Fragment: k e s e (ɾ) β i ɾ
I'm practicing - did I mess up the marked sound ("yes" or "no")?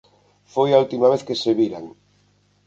yes